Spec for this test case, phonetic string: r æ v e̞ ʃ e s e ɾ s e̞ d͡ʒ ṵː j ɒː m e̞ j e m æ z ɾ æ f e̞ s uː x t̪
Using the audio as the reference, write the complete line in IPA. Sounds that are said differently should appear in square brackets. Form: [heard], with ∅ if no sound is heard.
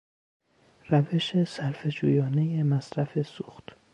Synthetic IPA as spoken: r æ v e̞ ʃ e s [æ] ɾ [f] e̞ d͡ʒ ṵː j ɒː [n] e̞ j e m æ [s] ɾ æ f e̞ s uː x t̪

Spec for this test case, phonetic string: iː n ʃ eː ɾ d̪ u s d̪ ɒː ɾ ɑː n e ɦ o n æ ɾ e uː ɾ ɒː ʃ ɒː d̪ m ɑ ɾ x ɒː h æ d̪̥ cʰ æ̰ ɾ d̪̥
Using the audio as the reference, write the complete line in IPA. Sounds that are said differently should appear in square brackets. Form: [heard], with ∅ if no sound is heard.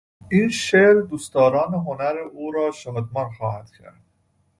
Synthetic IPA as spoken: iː n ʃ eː ɾ d̪ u s [t̪] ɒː ɾ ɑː n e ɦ o n æ ɾ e uː ɾ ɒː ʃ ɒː d̪ m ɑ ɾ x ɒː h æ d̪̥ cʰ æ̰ ɾ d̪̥

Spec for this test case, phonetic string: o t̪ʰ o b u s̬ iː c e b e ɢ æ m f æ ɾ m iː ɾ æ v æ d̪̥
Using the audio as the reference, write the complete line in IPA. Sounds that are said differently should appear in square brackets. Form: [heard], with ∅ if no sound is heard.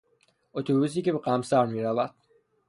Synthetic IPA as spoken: o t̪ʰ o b u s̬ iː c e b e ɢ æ m [s] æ ɾ m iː ɾ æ v æ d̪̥

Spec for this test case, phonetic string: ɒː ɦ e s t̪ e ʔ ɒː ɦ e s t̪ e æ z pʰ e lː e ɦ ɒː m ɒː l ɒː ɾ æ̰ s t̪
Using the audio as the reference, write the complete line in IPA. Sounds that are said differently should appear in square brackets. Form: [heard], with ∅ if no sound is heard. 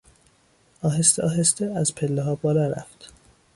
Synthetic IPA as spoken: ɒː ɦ e s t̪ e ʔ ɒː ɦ e s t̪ e æ z pʰ e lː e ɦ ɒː [b] ɒː l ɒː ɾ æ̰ [f] t̪

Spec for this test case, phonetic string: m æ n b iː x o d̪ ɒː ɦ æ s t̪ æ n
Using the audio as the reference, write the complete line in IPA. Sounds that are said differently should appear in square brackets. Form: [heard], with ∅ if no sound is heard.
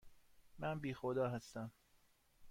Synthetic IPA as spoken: m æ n b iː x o d̪ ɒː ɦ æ s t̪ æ [m]

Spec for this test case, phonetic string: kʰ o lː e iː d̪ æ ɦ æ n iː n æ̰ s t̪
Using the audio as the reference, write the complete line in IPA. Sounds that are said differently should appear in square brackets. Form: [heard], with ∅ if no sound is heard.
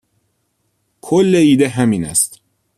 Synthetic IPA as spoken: kʰ o lː e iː d̪ [e] ɦ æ [m] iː n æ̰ s t̪

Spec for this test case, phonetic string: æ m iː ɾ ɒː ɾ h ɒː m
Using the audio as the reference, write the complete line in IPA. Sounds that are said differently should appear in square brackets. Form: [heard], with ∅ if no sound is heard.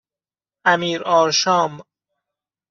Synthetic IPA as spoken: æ m iː ɾ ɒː ɾ [ʃ] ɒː m

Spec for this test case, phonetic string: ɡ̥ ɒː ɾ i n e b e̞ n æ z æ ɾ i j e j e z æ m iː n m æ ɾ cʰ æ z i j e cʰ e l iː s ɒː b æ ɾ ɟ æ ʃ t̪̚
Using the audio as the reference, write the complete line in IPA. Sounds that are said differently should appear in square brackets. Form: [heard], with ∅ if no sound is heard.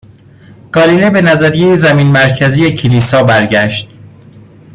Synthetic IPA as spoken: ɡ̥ ɒː [l] i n e b e̞ n æ z æ ɾ i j e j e z æ m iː n m æ ɾ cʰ æ z i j e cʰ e l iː s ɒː b æ ɾ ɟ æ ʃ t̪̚

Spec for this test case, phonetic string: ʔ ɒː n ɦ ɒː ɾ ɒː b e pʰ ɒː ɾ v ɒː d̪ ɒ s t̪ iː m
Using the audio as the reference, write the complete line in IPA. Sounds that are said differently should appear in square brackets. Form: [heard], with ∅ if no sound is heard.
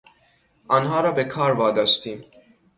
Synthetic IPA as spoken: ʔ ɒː n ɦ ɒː ɾ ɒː b e [kʰ] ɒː ɾ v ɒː d̪ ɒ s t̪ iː m

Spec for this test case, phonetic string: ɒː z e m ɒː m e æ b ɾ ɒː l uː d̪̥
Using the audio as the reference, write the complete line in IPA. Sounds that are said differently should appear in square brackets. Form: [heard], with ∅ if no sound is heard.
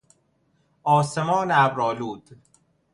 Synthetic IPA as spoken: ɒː [s] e m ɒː [n] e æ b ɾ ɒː l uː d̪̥

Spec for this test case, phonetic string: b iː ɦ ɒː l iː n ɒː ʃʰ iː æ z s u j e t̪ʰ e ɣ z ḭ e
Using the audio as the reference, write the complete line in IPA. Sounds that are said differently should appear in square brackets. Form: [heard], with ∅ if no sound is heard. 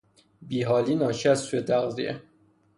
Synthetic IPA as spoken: b iː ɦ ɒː l iː n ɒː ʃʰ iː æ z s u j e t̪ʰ [æ] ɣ z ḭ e

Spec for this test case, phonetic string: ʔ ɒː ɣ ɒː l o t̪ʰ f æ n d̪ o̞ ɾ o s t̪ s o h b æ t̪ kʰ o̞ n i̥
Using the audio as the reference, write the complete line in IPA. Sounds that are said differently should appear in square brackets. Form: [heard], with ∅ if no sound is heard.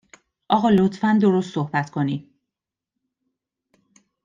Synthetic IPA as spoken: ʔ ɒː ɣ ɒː l o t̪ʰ f æ n d̪ o̞ ɾ o s t̪ s o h b æ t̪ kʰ o̞ n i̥

